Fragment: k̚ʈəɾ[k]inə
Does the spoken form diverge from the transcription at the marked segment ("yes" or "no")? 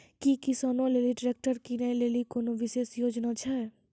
no